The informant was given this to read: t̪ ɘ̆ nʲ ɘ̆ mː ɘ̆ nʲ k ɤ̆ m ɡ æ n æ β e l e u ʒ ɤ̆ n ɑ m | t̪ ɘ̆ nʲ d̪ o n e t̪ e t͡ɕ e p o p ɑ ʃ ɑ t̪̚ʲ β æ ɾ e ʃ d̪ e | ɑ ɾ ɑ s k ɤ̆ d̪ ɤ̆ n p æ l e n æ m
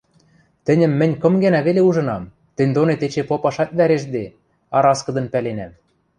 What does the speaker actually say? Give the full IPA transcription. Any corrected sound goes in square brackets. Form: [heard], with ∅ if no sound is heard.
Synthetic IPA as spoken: t̪ ɘ̆ nʲ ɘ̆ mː ɘ̆ nʲ k ɤ̆ m ɡ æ n æ β e l e u ʒ ɤ̆ n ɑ m | t̪ ɘ̆ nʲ d̪ o n e t̪ e t͡ɕ e p o p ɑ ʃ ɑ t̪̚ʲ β æ ɾ e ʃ d̪ e | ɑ ɾ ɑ s k ɤ̆ d̪ ɤ̆ n p æ l e n æ m